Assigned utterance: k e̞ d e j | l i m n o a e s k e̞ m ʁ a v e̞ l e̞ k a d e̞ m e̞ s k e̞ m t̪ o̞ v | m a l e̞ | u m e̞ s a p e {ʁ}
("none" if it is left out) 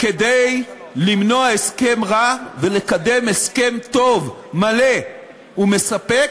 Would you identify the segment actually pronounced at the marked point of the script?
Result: none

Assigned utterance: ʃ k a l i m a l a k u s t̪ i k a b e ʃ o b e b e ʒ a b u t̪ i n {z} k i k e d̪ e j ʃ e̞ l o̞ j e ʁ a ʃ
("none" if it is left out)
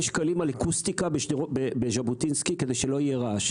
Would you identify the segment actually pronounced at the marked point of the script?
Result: s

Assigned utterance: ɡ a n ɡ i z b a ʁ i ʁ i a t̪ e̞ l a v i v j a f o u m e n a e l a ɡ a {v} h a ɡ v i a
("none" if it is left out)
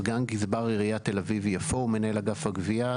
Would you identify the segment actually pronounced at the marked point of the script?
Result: f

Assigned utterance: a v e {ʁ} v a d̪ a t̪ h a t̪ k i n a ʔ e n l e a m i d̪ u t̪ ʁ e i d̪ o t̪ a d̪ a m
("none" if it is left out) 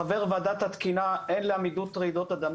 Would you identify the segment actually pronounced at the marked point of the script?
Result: ʁ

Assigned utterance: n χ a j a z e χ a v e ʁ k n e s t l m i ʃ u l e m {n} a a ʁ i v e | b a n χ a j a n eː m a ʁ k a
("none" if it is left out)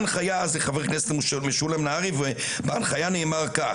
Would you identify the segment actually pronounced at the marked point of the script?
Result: n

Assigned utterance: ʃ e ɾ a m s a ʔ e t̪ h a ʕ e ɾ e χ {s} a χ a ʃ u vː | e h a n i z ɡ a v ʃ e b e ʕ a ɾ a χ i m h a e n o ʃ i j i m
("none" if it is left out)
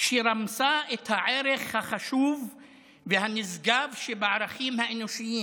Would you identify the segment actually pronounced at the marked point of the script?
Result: h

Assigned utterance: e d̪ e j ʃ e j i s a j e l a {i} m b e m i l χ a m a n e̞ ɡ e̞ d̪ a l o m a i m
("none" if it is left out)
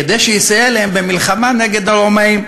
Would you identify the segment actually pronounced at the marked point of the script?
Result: e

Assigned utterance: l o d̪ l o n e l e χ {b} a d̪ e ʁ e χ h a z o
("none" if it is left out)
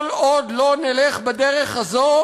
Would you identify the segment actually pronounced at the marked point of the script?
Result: b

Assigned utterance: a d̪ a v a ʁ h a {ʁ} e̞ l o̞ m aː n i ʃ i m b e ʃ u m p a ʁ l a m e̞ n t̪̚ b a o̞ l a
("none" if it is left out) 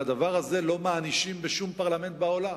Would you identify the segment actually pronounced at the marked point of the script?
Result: z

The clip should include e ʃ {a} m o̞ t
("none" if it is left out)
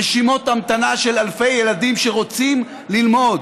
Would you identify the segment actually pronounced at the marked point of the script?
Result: i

